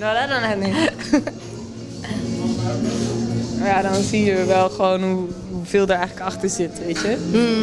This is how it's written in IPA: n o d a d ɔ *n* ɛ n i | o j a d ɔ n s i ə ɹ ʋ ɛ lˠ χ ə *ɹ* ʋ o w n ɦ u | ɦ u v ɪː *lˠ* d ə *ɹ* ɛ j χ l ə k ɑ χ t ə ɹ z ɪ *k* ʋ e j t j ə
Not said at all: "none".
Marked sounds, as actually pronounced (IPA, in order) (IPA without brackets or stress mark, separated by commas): n, none, lˠ, ɹ, t